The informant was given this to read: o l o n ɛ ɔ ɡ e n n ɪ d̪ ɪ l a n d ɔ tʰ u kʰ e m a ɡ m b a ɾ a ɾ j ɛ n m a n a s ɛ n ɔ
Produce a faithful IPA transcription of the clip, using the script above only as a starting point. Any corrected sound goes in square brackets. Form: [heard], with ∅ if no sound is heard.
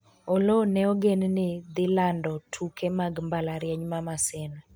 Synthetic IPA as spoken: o l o n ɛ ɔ ɡ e n n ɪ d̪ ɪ l a n d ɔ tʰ u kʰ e m a ɡ m b a [l] a ɾ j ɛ [ɲ] m a [m] a s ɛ n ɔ